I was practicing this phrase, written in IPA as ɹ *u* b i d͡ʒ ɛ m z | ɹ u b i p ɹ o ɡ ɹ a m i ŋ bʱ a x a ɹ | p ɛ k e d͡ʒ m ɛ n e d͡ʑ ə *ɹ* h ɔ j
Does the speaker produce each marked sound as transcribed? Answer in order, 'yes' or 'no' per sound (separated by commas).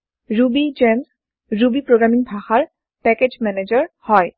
yes, yes